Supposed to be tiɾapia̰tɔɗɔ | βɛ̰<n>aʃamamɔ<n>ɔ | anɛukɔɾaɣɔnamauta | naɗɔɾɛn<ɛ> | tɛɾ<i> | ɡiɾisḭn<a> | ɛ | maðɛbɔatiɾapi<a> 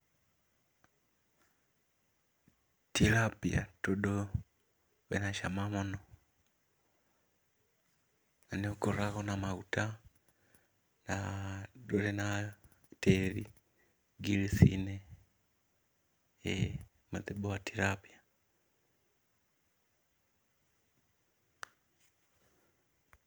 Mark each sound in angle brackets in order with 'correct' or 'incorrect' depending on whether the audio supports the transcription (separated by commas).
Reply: correct, correct, incorrect, correct, incorrect, correct